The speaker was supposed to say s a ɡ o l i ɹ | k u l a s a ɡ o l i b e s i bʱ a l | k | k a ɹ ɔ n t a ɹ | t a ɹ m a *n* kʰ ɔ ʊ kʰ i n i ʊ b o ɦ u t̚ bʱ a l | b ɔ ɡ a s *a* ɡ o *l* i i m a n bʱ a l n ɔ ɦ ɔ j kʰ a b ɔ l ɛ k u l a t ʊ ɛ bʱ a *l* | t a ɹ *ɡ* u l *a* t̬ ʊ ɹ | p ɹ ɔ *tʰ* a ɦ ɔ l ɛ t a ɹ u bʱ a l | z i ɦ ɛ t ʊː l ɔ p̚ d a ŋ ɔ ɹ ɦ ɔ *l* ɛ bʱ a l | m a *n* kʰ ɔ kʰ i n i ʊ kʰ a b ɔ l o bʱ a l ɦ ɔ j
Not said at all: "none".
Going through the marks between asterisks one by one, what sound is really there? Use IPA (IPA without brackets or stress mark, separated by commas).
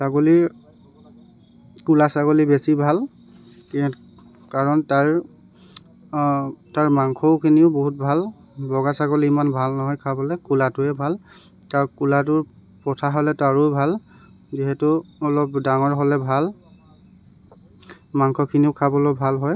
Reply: ŋ, a, l, l, k, a, tʰ, l, ŋ